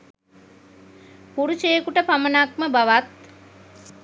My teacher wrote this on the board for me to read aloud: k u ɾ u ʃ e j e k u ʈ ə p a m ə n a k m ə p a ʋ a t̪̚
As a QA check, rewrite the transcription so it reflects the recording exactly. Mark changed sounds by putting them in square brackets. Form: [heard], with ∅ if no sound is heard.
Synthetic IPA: [p] u ɾ u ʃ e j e k u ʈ ə p a m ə n a k m ə [b] a ʋ a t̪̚